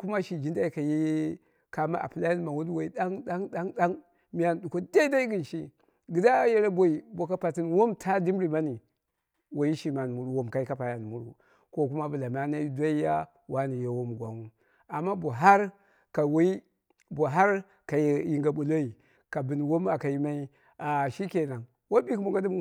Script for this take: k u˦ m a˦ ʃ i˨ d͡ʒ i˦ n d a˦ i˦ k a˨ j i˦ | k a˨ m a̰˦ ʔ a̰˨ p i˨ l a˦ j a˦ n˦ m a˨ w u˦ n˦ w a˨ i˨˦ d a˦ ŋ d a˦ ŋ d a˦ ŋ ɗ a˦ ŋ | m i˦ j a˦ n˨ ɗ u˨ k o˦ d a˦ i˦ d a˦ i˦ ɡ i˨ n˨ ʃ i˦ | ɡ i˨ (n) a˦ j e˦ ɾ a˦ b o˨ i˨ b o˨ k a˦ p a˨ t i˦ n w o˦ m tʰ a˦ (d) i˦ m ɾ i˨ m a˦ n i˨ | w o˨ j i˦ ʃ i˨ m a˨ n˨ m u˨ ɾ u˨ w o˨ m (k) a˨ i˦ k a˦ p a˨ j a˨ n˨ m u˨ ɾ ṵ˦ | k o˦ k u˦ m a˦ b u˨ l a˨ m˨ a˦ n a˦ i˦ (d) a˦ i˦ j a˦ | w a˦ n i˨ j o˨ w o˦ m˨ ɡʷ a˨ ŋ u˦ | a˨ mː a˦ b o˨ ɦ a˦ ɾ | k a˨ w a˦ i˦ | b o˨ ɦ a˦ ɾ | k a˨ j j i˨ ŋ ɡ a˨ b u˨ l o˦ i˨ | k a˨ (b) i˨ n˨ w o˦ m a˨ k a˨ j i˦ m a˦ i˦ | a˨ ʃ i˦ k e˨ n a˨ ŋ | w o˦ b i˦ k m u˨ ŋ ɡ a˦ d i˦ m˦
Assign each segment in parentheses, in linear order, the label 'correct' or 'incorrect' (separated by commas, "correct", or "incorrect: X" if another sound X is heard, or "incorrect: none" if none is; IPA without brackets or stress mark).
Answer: incorrect: d, correct, correct, correct, correct